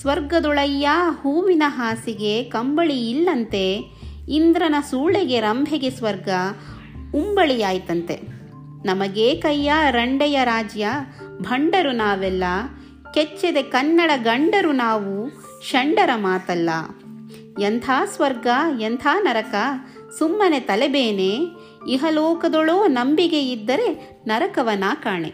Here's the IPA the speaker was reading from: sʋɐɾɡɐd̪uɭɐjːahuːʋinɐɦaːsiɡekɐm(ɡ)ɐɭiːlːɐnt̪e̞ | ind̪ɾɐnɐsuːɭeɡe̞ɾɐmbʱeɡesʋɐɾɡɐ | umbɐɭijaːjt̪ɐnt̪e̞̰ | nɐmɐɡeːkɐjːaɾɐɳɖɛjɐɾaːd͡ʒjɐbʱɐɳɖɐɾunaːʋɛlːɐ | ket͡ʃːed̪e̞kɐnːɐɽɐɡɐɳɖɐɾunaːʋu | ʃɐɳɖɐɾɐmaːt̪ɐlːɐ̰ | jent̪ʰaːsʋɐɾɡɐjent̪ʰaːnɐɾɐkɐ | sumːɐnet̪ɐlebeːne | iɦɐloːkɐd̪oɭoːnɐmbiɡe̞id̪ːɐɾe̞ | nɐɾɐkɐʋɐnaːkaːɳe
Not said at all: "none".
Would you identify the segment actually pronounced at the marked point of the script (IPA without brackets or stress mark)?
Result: b